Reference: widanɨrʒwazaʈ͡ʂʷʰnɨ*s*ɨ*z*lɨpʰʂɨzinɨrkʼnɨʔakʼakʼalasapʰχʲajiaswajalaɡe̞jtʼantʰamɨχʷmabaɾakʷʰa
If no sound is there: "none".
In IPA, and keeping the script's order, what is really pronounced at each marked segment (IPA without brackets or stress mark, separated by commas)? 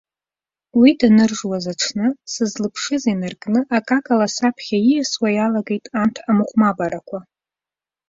s, z